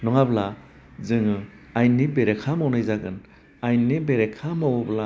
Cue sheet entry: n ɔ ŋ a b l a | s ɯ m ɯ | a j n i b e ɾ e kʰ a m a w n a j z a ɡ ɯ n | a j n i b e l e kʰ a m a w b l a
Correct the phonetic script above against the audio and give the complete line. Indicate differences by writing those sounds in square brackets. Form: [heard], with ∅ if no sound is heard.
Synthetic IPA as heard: n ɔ ŋ a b l a | [z] ɯ [ŋ] ɯ | a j n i b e ɾ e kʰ a m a w n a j z a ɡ ɯ n | a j n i b e [ɾ] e kʰ a m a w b l a